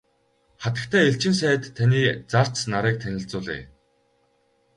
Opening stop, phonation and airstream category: plain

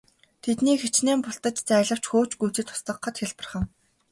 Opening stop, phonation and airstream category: aspirated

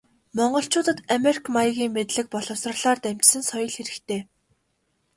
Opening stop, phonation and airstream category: plain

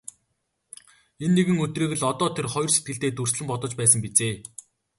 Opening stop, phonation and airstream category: plain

